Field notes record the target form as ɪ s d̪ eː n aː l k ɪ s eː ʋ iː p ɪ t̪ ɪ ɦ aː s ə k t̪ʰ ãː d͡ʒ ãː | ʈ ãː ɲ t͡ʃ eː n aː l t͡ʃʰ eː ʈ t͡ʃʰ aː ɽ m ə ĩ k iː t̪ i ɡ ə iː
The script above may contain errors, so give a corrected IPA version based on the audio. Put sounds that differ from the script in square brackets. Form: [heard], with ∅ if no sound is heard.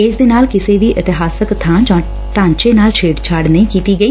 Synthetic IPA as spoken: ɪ s d̪ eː n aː l k ɪ s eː ʋ iː [ʔ] ɪ t̪ ɪ ɦ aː s ə k t̪ʰ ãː d͡ʒ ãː | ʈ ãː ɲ t͡ʃ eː n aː l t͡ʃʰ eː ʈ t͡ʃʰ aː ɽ [n] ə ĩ k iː t̪ [iː] ɡ ə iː

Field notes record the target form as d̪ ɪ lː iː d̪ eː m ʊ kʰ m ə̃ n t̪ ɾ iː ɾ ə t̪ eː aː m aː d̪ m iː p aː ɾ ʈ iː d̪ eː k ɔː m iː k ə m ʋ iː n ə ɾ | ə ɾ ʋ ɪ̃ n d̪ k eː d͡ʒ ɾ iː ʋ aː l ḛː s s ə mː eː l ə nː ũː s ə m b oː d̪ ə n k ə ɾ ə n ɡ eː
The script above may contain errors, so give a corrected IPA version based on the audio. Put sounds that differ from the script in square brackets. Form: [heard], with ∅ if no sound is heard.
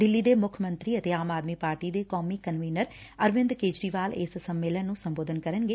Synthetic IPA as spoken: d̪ ɪ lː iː d̪ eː m ʊ kʰ m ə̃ n t̪ ɾ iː [∅] ə t̪ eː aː m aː d̪ m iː p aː ɾ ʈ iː d̪ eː k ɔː m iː k ə [n] ʋ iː n ə ɾ | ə ɾ ʋ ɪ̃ n d̪ k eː d͡ʒ ɾ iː ʋ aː l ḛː s s ə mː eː l ə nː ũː s ə m b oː d̪ ə n k ə ɾ ə n ɡ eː

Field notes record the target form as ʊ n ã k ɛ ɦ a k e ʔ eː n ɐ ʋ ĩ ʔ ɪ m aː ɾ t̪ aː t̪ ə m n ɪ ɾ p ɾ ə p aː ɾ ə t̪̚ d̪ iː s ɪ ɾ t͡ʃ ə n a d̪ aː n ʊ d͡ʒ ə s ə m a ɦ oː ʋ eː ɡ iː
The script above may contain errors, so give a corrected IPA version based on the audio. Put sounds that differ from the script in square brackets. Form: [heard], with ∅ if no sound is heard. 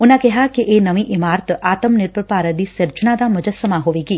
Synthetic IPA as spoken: ʊ n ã k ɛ ɦ a k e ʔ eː n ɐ ʋ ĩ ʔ ɪ m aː ɾ t̪ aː t̪ ə m n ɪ ɾ p ɾ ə p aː ɾ ə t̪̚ d̪ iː s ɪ ɾ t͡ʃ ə n a d̪ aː [m] ʊ d͡ʒ ə s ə m a ɦ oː ʋ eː ɡ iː

